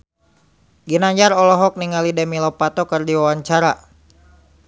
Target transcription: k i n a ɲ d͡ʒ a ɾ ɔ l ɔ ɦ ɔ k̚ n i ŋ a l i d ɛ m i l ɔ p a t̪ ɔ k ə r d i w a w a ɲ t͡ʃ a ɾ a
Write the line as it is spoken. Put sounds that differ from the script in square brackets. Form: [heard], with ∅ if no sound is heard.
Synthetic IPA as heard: [ɡ] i n a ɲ d͡ʒ a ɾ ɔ l ɔ ɦ ɔ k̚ n i ŋ a l i d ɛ m i l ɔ p a t̪ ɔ k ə r d i w a w a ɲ t͡ʃ a ɾ a